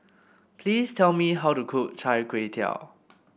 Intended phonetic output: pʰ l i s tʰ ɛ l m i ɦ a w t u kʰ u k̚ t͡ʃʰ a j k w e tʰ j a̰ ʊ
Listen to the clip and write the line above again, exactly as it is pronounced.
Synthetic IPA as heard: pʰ l i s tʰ ɛ l m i ɦ a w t u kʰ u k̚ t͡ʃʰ a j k w e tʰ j a̰ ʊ